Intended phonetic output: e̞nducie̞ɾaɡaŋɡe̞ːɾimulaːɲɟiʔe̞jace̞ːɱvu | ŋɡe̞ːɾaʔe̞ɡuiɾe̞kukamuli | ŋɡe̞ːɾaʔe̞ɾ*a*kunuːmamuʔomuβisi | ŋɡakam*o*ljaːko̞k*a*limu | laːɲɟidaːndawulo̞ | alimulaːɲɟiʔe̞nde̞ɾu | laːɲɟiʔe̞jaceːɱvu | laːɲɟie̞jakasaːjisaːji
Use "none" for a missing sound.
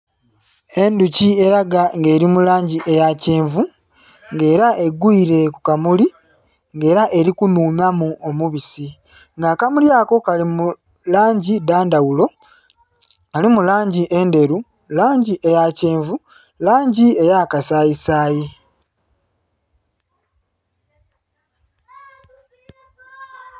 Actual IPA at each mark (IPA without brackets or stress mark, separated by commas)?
i, u, a